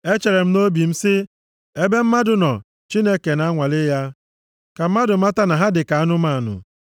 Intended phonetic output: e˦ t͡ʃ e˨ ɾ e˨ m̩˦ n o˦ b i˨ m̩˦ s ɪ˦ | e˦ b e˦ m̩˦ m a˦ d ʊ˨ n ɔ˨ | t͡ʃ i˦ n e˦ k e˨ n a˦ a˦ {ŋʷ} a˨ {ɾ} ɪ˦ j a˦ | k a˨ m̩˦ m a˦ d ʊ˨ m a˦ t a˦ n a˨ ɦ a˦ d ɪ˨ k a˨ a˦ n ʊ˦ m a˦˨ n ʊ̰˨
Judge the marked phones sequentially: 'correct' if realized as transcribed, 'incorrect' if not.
correct, incorrect

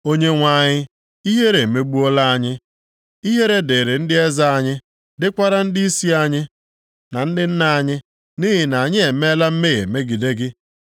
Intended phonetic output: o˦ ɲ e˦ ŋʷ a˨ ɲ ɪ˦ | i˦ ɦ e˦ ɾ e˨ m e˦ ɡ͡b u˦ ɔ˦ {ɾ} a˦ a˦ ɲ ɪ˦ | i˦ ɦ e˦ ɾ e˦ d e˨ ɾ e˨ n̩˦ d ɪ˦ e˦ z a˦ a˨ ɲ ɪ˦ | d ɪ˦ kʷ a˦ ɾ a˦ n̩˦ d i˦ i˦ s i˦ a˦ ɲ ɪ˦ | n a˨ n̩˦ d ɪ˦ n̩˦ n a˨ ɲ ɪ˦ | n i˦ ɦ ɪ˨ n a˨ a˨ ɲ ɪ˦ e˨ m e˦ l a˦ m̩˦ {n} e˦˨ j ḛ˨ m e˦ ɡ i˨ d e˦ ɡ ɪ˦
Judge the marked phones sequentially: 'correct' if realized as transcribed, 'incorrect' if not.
incorrect, incorrect

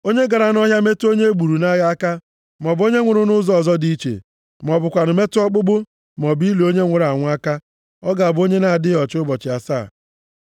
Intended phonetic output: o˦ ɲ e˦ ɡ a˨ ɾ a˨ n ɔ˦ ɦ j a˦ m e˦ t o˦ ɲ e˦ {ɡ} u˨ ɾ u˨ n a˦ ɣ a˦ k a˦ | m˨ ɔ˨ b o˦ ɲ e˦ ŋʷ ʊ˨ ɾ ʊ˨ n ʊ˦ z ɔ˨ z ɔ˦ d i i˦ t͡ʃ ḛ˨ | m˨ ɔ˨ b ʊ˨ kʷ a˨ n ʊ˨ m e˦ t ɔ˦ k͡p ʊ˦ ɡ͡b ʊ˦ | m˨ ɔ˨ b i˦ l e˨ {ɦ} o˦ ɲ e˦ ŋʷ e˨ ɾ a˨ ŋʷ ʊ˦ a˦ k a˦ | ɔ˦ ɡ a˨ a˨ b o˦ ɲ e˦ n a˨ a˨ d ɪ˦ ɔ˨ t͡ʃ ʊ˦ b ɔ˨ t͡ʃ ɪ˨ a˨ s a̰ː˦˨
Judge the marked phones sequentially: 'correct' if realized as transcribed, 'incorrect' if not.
incorrect, incorrect

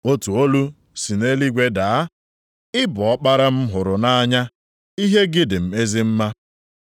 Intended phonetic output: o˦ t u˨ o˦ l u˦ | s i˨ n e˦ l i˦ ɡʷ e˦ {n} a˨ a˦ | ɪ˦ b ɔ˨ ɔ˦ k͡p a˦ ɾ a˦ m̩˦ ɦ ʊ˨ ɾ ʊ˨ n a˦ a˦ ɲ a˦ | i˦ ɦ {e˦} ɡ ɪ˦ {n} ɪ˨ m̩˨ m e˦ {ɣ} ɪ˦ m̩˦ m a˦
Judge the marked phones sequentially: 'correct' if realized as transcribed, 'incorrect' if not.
incorrect, correct, incorrect, incorrect

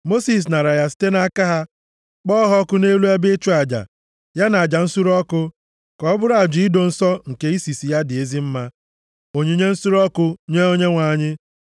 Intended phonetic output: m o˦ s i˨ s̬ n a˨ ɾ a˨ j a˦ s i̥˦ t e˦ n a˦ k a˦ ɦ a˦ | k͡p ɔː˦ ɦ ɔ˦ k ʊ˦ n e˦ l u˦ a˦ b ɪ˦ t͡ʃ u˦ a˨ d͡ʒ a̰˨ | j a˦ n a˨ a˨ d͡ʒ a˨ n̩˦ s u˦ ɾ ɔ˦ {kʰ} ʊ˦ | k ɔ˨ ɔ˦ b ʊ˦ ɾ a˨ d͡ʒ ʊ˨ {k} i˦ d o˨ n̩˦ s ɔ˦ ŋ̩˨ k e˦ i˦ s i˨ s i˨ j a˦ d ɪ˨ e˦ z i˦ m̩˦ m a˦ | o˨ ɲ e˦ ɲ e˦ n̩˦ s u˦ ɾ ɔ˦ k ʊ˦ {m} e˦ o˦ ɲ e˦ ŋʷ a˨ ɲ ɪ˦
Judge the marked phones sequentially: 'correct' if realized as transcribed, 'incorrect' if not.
incorrect, incorrect, incorrect

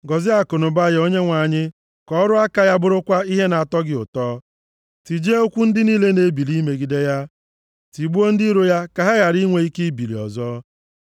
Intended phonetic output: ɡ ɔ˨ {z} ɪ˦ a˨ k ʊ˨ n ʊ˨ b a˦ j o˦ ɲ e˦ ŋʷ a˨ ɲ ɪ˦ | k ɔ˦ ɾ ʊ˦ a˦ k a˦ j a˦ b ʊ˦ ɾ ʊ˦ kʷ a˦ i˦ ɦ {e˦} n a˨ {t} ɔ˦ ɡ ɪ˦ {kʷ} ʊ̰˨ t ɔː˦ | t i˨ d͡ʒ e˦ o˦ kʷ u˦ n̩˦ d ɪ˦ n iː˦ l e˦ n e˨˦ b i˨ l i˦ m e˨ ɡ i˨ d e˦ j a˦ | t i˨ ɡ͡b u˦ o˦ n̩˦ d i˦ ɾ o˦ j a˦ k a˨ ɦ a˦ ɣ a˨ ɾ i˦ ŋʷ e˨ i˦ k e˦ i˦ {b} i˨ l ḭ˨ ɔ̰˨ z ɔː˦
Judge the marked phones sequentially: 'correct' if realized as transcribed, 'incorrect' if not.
correct, correct, correct, incorrect, correct

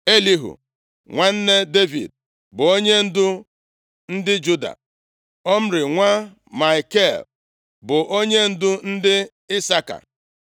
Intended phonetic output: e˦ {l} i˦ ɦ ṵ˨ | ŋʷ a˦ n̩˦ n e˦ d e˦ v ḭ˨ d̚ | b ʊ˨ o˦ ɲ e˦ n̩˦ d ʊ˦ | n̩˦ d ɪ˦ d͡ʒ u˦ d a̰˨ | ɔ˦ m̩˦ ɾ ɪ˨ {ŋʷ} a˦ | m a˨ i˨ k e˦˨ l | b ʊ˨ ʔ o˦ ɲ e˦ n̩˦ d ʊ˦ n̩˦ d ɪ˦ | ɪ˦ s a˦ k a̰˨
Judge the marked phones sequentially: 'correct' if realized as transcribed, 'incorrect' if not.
correct, correct

